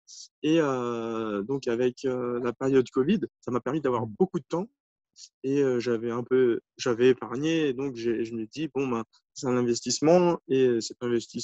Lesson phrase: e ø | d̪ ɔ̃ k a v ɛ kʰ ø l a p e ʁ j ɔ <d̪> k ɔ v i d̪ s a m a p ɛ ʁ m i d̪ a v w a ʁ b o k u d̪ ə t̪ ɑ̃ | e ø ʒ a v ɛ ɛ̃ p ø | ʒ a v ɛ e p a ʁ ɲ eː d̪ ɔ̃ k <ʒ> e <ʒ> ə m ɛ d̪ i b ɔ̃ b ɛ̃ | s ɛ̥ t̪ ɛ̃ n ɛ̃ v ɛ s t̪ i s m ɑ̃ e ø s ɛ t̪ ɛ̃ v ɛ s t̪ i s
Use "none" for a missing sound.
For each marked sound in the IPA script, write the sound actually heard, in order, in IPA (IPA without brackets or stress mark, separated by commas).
d̪, ʒ, ʒ